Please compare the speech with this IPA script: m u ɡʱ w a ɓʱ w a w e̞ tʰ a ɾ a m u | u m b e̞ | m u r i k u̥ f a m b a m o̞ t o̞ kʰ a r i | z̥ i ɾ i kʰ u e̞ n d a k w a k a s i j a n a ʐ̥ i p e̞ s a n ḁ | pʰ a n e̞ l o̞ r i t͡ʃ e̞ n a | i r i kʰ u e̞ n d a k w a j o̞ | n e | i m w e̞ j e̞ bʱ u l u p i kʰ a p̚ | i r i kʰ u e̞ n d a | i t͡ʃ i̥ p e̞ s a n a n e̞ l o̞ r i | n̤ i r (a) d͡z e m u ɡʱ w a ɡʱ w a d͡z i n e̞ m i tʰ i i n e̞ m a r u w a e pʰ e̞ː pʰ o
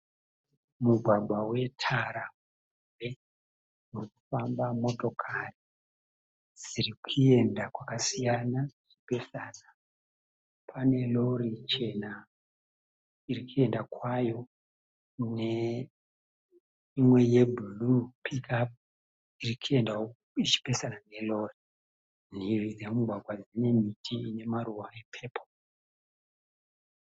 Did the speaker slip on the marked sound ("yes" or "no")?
yes